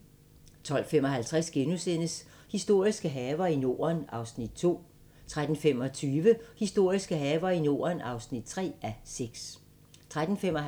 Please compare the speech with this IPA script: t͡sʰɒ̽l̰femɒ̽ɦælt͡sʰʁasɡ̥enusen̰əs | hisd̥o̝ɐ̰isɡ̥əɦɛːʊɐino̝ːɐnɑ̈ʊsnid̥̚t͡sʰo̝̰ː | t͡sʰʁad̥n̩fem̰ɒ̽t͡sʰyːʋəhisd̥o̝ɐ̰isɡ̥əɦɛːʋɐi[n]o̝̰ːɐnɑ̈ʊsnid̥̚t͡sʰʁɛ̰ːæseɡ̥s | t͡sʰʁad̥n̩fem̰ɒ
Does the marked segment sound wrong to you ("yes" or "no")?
no